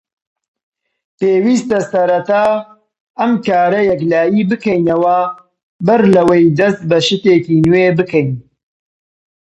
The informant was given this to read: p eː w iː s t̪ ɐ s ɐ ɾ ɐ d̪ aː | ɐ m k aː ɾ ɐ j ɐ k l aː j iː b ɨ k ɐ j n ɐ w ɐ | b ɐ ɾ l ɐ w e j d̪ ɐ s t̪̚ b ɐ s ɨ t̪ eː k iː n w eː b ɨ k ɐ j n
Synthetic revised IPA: p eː w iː s t̪ ɐ s ɐ ɾ ɐ t̪ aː | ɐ m k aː ɾ ɐ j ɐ k l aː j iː b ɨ k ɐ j n ɐ w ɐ | b ɐ ɾ l ɐ w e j d̪ ɐ s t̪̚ b ɐ ʃ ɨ t̪ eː k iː n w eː b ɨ k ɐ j n